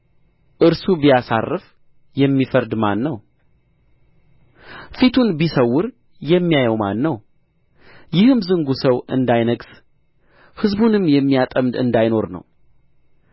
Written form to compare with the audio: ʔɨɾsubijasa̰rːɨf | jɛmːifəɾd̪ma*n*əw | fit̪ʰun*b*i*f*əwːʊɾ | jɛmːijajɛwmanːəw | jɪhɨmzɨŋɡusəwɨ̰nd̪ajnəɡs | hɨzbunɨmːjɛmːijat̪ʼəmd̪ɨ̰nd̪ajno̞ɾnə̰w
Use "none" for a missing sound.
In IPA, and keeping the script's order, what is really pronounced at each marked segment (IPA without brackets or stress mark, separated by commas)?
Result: nː, b, s